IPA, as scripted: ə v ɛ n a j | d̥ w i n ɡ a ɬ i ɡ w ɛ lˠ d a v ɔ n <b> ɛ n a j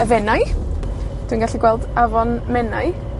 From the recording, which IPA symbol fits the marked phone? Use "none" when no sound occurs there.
m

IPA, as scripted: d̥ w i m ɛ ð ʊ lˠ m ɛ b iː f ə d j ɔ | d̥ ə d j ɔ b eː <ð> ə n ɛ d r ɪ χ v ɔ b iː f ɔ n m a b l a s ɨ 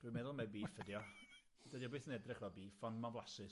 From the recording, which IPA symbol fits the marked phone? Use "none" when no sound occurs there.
θ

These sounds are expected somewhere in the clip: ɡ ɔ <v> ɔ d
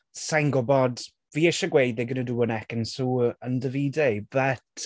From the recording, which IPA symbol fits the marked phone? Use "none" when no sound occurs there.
b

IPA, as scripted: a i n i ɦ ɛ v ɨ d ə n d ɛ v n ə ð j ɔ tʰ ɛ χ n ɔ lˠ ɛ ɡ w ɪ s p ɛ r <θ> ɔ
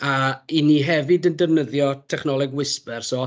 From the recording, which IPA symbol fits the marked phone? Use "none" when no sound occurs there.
s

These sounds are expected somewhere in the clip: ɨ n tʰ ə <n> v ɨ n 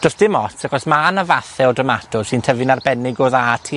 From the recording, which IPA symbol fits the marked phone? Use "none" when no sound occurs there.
none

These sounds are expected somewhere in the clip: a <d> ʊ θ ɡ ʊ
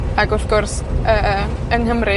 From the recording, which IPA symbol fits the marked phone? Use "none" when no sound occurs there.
ɡ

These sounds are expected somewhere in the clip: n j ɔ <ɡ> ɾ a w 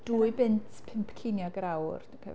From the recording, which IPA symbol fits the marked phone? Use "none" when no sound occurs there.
ɡ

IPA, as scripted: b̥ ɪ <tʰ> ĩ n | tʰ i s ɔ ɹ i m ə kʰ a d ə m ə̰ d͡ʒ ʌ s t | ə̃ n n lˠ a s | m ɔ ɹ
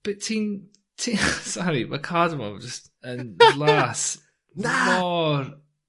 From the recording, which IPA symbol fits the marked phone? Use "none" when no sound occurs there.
tʰ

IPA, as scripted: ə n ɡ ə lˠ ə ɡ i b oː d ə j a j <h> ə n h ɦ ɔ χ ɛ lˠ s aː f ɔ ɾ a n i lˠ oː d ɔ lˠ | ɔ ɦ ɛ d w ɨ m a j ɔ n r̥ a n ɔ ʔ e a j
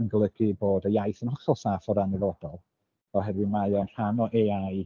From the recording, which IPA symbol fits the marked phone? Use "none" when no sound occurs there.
θ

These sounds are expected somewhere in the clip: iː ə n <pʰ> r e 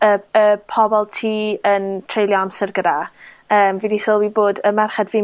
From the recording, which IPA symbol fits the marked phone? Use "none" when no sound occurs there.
tʰ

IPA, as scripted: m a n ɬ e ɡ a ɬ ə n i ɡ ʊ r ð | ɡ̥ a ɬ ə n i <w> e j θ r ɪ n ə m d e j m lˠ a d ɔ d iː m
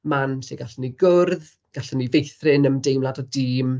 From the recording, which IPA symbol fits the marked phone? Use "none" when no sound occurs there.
v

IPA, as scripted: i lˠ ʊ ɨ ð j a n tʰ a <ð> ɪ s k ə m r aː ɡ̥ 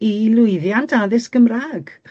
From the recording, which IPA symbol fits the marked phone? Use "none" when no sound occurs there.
ð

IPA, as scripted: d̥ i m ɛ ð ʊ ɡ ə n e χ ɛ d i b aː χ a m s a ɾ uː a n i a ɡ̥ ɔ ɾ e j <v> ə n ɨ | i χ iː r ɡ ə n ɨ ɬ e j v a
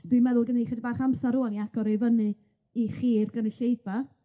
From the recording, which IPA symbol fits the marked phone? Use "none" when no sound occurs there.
v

